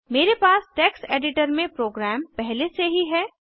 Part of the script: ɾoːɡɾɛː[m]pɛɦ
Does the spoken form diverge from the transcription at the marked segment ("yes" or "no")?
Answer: no